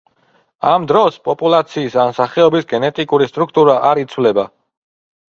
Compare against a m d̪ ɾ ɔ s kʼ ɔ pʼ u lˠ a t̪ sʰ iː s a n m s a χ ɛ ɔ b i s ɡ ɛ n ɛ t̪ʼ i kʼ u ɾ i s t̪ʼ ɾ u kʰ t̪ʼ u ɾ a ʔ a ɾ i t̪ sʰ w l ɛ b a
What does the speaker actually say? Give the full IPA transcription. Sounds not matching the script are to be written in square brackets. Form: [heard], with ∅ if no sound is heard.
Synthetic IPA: a m d̪ ɾ ɔ s [pʼ] ɔ pʼ u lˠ a t̪ sʰ iː s a n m s a χ ɛ ɔ b i s ɡ ɛ n ɛ t̪ʼ i kʼ u ɾ i s t̪ʼ ɾ u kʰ t̪ʼ u ɾ a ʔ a ɾ i t̪ sʰ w l ɛ b a